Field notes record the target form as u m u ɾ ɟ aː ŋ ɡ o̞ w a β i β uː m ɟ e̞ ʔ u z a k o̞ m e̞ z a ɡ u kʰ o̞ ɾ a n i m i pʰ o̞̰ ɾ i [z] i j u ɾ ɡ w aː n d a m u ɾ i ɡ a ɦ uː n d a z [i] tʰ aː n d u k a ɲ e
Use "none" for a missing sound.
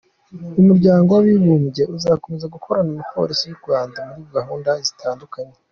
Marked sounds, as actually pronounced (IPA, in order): s, i

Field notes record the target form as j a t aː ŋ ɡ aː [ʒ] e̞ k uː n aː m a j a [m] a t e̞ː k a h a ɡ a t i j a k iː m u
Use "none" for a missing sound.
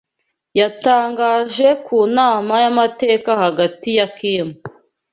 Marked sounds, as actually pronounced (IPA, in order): ʒ, m

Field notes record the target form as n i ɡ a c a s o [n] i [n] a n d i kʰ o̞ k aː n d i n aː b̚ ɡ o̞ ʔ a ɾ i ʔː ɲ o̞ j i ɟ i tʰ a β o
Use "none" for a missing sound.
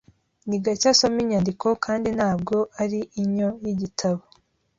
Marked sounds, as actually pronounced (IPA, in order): m, ɲ

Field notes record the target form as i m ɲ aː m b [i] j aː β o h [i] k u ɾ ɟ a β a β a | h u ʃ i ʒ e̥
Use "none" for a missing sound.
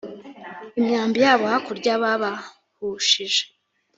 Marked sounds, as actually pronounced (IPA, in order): i, a

